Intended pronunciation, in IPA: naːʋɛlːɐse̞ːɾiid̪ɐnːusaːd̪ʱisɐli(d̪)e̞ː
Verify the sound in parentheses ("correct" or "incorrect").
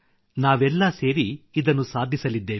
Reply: incorrect